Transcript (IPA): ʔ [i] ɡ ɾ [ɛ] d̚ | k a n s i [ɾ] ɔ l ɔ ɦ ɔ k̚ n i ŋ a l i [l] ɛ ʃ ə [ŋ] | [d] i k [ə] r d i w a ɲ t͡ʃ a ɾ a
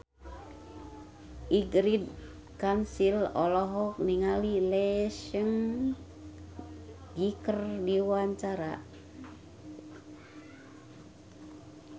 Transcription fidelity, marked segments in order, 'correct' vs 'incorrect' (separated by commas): correct, incorrect, incorrect, correct, correct, incorrect, correct